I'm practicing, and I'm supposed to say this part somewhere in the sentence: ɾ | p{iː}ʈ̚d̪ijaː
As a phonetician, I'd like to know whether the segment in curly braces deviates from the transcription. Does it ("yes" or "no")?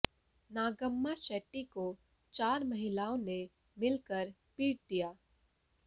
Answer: no